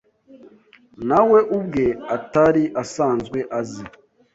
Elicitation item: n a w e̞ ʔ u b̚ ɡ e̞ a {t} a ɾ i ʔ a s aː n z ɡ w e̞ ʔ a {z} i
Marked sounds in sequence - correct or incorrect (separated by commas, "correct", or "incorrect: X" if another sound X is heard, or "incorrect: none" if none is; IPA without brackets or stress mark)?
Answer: correct, correct